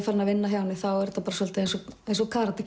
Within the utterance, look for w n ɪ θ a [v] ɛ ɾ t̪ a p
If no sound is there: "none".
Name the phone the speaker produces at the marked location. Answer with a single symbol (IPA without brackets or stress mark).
w